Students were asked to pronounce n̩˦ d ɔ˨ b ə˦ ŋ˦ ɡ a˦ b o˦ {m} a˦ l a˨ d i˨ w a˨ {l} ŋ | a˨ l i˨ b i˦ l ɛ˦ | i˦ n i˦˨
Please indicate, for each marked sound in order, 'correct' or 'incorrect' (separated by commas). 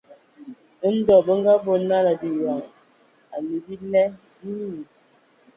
incorrect, incorrect